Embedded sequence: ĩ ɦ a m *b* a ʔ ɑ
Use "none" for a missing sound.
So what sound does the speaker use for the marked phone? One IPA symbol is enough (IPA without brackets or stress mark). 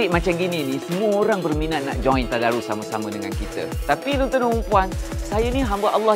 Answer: b